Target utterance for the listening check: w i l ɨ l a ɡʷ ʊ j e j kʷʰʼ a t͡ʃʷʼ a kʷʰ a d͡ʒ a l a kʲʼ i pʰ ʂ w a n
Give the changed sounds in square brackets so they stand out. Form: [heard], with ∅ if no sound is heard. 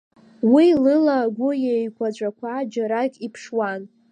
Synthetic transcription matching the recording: w i l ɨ l a ɡʷ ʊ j e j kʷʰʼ a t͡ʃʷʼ a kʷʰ a d͡ʒ a [ɾ] a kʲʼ i pʰ ʂ w a n